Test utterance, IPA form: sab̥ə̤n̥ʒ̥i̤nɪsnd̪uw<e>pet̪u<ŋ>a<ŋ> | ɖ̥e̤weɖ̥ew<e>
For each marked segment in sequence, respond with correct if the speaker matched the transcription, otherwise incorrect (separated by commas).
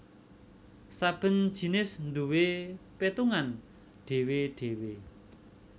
correct, correct, incorrect, correct